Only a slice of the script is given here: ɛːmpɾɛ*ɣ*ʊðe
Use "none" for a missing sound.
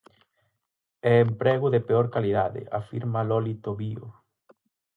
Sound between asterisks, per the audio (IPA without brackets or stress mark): ɣ